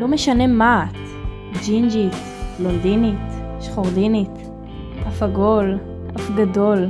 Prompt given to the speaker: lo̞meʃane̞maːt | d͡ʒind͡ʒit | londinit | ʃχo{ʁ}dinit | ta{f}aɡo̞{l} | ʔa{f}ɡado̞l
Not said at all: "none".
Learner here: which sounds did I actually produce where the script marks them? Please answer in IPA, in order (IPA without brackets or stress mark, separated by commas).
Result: ʁ, f, l, f